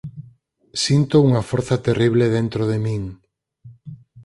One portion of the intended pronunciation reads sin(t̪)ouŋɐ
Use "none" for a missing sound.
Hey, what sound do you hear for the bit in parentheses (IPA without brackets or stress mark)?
t̪